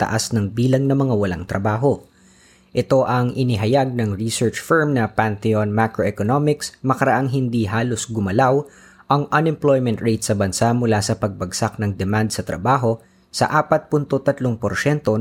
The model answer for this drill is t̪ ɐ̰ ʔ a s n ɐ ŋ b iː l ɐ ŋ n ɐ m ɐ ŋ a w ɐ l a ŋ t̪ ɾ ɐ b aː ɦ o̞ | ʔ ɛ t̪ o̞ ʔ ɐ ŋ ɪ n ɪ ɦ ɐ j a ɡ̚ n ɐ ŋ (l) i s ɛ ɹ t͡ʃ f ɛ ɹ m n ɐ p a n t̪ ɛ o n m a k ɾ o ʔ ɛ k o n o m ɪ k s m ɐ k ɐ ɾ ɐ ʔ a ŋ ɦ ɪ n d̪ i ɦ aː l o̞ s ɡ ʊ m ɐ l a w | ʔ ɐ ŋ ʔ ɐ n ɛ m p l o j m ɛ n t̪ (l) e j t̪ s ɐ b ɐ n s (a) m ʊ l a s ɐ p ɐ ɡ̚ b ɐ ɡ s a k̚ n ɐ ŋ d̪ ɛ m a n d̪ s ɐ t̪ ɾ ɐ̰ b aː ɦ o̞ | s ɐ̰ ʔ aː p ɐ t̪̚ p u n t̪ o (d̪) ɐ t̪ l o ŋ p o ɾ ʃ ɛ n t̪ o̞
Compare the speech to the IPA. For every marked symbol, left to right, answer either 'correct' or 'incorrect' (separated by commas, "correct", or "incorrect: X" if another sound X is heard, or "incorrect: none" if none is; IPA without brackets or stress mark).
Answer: incorrect: ɹ, incorrect: ɹ, correct, incorrect: t̪